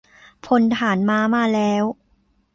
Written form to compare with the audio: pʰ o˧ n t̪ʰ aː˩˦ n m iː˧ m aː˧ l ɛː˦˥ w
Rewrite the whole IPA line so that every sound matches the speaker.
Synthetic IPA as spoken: pʰ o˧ n t̪ʰ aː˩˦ n m aː˧ m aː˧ l ɛː˦˥ w

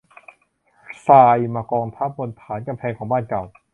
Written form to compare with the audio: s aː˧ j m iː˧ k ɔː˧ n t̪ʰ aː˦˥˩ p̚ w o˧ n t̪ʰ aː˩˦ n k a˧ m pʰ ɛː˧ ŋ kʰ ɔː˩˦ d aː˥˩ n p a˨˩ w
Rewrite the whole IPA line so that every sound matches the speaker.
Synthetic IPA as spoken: s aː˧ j m aː˧ k ɔː˧ ŋ t̪ʰ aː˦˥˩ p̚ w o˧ n t̪ʰ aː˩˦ n k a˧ m pʰ ɛː˧ ŋ kʰ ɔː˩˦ b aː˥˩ n k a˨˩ w

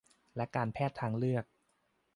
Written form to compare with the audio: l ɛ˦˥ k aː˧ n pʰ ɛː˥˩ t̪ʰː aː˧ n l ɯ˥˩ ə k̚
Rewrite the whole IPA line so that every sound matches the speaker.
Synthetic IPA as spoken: l ɛ˦˥ k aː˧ n pʰ ɛː˥˩ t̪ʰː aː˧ ŋ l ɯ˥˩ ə k̚

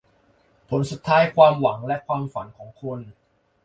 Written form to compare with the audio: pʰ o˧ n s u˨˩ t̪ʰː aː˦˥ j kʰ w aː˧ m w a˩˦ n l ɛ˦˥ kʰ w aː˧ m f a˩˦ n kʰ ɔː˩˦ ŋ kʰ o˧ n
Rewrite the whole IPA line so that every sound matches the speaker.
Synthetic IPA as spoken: pʰ o˩˦ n s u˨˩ t̪ʰː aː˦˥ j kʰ w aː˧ m w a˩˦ ŋ l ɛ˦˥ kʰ w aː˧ m f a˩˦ n kʰ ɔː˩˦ ŋ kʰ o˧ n

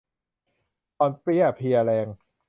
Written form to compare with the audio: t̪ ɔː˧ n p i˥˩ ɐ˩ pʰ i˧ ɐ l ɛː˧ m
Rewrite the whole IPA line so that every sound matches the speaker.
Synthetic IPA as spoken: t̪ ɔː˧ n p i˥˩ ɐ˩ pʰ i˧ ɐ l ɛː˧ ŋ

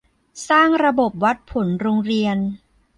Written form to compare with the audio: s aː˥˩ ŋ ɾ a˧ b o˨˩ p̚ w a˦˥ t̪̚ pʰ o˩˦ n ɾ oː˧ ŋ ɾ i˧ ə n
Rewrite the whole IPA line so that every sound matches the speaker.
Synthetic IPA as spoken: s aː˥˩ ŋ ɾ a˧ b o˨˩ p̚ w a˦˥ t̪̚ pʰ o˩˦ n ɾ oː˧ ŋ ɾ i˧ ə n

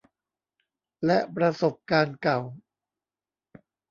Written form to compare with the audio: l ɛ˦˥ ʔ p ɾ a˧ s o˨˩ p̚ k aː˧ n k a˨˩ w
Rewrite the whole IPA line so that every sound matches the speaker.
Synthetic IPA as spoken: l ɛ˦˥ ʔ p ɾ a˧ s o˨˩ p̚ k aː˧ n k a˨˩ w

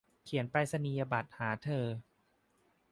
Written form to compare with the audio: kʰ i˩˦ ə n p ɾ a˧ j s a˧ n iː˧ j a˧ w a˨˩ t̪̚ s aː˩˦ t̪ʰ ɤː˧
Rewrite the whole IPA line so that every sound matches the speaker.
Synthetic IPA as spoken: kʰ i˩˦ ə n p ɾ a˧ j s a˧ n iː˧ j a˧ b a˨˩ t̪̚ h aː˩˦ t̪ʰ ɤː˧

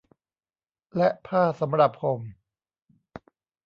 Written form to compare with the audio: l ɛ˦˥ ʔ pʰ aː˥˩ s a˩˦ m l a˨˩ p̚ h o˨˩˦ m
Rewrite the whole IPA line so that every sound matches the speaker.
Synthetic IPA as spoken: l ɛ˦˥ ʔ pʰ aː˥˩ s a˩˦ m ɾ a˨˩ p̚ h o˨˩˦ m

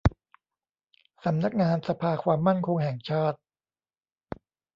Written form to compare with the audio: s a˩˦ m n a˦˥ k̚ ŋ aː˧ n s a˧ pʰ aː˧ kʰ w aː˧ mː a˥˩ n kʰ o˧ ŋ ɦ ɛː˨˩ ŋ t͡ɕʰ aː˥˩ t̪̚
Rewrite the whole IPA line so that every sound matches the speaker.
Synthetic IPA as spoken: s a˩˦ m n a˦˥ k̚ ŋ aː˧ n s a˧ pʰ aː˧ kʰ w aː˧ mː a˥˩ n kʰ o˧ ŋ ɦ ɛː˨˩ ŋ t͡ɕʰ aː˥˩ t̪̚

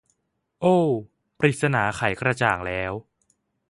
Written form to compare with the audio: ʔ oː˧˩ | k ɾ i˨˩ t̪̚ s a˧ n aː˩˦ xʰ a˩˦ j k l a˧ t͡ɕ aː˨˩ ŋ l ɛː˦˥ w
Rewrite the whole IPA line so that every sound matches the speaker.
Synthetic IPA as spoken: ʔ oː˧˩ | p ɾ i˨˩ t̪̚ s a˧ n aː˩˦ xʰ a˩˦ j k ɾ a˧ t͡ɕ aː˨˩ ŋ l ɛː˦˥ w

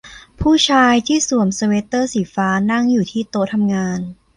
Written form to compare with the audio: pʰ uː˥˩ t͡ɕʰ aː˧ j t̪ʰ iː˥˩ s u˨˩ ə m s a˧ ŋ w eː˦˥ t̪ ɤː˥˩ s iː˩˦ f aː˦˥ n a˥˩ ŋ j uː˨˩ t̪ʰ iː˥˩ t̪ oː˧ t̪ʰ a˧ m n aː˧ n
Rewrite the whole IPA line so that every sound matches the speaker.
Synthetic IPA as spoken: pʰ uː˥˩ t͡ɕʰ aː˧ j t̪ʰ iː˥˩ s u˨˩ ə m s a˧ w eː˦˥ t̪ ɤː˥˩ s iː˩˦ f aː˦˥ n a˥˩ ŋ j uː˨˩ t̪ʰ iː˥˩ t̪ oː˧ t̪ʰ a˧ m ŋ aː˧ n

